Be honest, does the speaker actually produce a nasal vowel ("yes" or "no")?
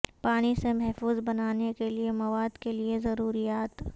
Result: no